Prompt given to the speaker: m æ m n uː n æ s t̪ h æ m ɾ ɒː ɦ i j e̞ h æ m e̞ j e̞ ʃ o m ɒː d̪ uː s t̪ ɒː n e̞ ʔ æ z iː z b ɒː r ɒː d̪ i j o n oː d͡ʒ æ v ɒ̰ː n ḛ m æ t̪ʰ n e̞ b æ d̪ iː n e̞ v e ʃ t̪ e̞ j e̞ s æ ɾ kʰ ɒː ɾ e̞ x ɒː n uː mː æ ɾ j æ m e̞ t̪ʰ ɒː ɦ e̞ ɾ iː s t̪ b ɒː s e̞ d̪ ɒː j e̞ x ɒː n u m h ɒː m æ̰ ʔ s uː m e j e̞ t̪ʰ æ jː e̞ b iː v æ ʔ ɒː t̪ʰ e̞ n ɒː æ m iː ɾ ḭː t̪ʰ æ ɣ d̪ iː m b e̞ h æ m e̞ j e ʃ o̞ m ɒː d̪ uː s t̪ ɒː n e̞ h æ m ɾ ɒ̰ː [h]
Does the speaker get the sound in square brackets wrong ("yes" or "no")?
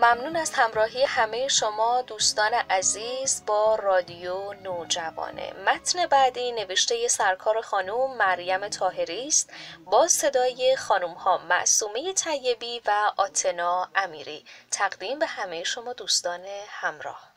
no